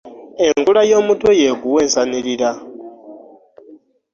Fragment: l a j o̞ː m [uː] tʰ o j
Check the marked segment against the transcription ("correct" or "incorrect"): incorrect